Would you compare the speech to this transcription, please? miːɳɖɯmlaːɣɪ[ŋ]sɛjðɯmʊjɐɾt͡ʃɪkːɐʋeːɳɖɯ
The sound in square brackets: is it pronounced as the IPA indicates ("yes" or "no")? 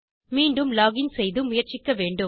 no